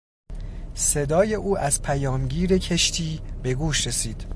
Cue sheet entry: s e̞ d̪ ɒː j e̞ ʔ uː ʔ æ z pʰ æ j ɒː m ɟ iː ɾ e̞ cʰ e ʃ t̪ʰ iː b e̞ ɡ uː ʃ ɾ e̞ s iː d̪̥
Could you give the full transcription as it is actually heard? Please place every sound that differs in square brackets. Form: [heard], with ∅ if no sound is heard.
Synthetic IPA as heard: s e̞ d̪ ɒː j e̞ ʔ uː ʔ æ z pʰ æ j ɒː m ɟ iː ɾ e̞ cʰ e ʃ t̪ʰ iː b e̞ ɡ uː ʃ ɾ e̞ s iː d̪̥